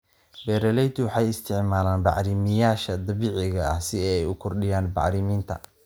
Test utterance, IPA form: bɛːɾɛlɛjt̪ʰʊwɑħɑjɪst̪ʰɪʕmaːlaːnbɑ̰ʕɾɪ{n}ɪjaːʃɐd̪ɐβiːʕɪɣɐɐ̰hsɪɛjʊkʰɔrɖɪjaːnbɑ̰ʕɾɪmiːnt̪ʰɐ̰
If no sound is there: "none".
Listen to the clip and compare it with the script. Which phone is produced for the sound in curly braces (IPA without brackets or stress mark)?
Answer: m